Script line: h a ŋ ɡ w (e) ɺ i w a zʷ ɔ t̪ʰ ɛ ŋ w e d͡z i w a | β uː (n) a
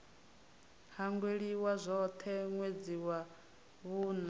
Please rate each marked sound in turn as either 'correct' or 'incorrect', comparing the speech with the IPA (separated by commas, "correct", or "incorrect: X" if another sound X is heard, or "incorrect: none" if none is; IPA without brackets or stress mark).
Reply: correct, correct